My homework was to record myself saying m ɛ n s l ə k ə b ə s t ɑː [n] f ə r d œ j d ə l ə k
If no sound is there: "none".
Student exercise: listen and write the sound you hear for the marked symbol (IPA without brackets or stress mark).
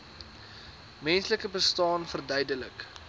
n